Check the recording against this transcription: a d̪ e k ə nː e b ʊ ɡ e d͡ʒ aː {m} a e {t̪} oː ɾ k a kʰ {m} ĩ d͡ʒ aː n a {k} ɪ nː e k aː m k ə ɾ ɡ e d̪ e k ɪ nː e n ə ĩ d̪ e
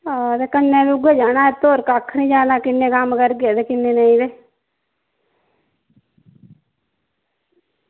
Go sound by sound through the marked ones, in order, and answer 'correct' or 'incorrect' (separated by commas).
incorrect, correct, incorrect, correct